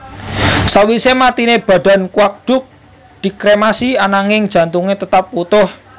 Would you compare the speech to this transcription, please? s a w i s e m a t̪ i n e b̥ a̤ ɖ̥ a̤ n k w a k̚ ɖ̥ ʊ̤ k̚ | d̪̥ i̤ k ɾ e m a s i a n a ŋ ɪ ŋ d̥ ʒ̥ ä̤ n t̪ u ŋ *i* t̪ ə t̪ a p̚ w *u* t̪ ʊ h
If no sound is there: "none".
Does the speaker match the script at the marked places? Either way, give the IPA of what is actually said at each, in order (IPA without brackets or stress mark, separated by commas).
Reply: e, u